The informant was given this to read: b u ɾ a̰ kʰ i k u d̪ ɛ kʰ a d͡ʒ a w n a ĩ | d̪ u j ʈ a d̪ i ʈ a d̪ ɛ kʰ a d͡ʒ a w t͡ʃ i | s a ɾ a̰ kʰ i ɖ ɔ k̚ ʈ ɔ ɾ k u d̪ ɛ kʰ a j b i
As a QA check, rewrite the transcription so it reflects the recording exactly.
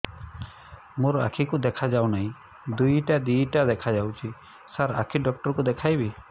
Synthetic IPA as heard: m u ɾ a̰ kʰ i k u d̪ ɛ kʰ a d͡ʒ a w n a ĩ | d̪ u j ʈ a d̪ i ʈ a d̪ ɛ kʰ a d͡ʒ a w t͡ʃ i | s a ɾ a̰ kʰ i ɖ ɔ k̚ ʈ ɔ ɾ k u d̪ ɛ kʰ a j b i